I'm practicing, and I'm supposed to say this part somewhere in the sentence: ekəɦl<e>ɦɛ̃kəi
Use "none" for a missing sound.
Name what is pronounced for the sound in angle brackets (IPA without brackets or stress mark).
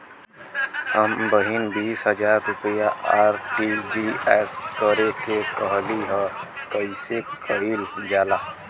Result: i